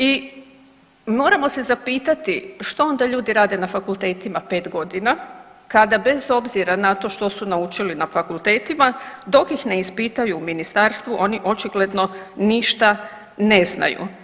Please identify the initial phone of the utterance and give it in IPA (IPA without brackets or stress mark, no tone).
i